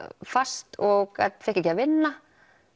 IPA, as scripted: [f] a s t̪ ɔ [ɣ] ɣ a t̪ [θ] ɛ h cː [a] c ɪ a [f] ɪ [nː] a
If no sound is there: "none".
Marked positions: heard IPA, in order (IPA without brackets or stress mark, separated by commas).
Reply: f, ɣ, f, ɛ, v, nː